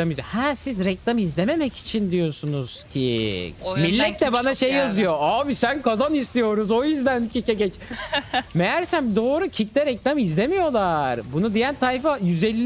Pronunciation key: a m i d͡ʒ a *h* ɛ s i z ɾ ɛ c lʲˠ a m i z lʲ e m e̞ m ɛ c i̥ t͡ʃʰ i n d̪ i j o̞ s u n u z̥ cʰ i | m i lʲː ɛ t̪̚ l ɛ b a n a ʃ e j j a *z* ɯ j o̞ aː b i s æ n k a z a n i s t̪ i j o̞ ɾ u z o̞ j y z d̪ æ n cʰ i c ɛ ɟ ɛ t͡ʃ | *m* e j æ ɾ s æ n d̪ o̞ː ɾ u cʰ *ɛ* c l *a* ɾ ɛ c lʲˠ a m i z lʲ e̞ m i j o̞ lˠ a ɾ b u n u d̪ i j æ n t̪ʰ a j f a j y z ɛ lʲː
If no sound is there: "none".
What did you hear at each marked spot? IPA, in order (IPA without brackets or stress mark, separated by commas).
h, z, m, i, ɛ